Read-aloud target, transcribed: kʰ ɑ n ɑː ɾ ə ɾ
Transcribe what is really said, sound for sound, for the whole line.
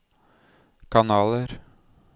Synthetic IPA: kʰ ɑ n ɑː l ə ɾ